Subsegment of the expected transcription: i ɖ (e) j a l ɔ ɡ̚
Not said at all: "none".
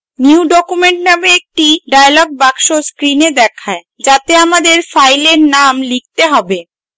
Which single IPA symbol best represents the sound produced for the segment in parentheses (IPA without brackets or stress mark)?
a